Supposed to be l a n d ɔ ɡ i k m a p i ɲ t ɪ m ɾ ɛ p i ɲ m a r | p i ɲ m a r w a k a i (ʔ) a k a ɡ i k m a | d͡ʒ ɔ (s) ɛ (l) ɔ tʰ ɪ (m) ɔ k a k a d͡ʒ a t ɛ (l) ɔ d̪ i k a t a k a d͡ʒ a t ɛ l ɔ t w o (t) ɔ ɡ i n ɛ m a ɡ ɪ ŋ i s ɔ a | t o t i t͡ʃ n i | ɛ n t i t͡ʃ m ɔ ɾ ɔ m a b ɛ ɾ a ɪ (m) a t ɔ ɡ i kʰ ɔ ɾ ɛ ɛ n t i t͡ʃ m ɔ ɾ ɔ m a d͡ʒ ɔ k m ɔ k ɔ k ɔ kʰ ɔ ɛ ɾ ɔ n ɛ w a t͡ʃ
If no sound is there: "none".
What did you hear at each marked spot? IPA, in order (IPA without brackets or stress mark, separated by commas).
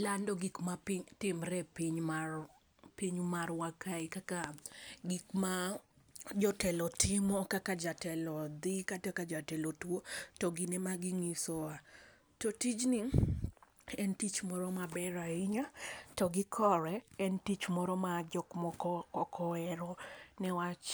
k, t, l, m, l, t, ɲ